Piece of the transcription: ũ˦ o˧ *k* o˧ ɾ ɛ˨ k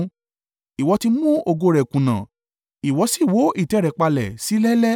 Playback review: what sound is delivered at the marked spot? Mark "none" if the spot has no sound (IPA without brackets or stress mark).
ɡ